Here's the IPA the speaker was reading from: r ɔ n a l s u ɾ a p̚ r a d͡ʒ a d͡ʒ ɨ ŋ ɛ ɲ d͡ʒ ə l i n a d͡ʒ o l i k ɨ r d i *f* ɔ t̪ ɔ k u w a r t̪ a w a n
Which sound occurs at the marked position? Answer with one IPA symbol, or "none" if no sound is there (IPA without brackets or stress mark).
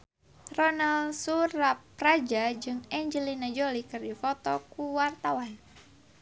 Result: f